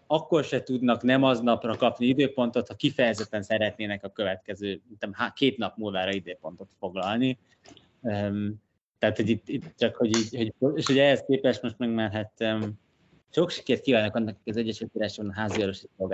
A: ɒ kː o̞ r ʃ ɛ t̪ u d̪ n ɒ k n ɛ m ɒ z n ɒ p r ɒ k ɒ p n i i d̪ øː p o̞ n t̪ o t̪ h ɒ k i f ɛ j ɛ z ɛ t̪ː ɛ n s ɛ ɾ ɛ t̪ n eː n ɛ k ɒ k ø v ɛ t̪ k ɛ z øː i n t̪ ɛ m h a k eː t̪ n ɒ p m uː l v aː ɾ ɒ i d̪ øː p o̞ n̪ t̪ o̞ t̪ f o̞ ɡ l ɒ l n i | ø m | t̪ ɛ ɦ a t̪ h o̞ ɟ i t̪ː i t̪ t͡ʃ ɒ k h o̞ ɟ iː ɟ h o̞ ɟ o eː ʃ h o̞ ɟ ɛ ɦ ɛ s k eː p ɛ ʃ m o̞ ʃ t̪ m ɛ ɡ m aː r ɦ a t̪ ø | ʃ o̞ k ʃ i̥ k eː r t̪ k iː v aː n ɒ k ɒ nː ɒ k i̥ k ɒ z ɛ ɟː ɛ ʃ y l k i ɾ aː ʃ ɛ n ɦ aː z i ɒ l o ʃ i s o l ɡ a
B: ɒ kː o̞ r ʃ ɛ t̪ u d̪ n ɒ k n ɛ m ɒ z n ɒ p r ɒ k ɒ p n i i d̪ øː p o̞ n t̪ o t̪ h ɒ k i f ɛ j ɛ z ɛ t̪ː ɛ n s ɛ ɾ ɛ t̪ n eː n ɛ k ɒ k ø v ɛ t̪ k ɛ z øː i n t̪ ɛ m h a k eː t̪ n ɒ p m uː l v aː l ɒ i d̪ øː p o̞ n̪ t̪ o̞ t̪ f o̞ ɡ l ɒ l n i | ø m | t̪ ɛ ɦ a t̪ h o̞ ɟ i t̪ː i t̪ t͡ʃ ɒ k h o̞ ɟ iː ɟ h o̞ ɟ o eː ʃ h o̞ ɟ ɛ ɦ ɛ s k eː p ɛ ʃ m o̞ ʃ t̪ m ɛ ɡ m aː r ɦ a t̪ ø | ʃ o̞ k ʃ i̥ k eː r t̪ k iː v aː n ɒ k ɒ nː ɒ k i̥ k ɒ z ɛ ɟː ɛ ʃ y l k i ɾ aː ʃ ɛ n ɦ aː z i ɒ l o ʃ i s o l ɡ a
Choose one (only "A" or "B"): A